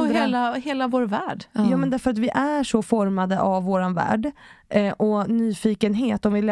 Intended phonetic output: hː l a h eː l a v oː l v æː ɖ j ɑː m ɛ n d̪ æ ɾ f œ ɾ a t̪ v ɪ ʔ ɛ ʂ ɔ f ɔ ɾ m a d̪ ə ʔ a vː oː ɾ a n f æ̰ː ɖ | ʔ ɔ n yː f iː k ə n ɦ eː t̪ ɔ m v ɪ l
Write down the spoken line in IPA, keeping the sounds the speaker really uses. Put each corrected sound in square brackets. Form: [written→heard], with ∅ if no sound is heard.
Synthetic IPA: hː l a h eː l a v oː [l→ɾ] v æː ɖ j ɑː m ɛ n d̪ æ ɾ f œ ɾ a t̪ v ɪ ʔ [ɛ→æ] ʂ ɔ f ɔ ɾ m a d̪ ə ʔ a vː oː ɾ a n [f→v] æ̰ː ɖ | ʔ ɔ n yː f iː k ə n ɦ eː t̪ ɔ m v ɪ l